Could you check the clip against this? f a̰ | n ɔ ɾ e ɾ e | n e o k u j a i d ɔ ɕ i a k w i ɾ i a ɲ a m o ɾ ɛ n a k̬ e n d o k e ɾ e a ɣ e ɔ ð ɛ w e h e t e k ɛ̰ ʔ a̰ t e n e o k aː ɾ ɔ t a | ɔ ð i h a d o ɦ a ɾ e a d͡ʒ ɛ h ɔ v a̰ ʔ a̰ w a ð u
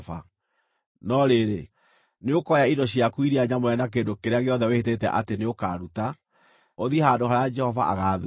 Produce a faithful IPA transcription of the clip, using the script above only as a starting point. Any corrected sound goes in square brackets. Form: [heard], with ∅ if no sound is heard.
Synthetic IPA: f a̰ | n ɔ ɾ e ɾ e | n e o k [ɔ] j a i d ɔ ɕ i a k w i ɾ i a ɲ a m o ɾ ɛ n a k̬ e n d o k e ɾ e a ɣ e ɔ ð ɛ w e h e t e [t] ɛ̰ ʔ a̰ t e n e o k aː ɾ [u] t a | [o] ð i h a d o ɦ a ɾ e a d͡ʒ ɛ h ɔ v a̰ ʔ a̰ [ɣ] a ð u